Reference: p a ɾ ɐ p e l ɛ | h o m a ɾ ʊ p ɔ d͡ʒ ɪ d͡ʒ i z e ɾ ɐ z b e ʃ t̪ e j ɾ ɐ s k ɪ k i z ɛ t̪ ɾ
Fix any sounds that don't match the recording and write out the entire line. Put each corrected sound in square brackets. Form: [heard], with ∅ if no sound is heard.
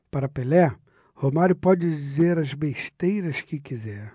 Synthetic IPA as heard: p a ɾ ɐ p e l ɛ | h o m a ɾ ʊ p ɔ d͡ʒ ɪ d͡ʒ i z e ɾ ɐ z b e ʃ t̪ e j ɾ ɐ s k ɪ k i z ɛ [∅] ɾ